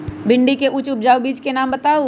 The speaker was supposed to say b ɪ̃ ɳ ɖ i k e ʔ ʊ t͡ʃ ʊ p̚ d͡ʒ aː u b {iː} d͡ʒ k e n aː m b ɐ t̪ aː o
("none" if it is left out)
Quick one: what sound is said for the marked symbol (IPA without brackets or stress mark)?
iː